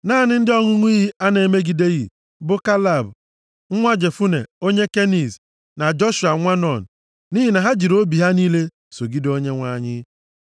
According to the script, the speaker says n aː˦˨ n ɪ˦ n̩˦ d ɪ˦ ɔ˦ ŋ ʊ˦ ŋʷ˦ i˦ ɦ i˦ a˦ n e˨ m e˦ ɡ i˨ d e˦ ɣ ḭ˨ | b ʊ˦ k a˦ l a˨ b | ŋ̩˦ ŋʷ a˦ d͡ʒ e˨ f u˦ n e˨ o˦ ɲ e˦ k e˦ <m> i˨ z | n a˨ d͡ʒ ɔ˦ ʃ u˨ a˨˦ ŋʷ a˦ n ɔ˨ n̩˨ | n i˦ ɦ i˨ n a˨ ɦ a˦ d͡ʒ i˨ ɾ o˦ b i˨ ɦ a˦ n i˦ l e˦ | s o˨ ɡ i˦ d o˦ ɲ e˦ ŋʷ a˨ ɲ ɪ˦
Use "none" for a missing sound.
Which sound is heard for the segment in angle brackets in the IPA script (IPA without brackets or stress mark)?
n